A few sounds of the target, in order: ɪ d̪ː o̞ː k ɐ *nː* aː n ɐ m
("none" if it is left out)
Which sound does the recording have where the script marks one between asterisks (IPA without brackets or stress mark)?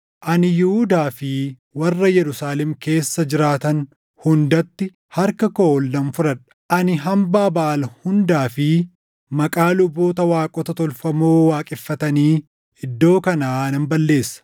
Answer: n